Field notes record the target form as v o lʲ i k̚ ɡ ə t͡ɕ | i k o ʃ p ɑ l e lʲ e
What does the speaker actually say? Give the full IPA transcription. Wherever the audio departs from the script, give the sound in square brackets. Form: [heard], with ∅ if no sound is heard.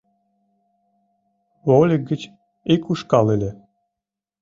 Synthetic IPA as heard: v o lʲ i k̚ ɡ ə t͡ɕ | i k [u] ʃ [k] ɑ l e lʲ e